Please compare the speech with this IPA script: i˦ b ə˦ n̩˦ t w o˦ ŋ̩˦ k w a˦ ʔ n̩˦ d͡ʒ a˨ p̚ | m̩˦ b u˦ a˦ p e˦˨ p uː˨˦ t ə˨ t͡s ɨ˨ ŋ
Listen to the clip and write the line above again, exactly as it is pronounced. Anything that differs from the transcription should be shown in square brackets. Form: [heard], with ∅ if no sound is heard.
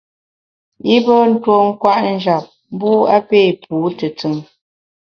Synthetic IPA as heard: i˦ b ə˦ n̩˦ t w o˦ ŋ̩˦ k w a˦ ʔ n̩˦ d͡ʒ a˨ p̚ | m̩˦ b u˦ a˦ p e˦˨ p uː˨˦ t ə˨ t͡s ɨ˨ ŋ